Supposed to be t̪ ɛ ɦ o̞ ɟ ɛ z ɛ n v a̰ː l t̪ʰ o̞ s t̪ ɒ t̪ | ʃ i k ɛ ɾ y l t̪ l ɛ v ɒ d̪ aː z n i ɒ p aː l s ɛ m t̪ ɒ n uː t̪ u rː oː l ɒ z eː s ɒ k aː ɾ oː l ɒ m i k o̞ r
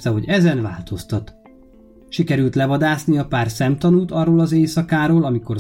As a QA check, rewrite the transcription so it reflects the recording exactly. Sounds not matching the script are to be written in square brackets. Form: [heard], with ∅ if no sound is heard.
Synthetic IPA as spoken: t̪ ɛ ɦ o̞ ɟ ɛ z ɛ n v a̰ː l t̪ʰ o̞ s t̪ ɒ t̪ | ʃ i k ɛ ɾ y l t̪ l ɛ v ɒ d̪ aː [s] n i ɒ p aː [r] s ɛ m t̪ ɒ n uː t̪ [ɒ] rː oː l ɒ z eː s ɒ k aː ɾ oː l ɒ m i k o̞ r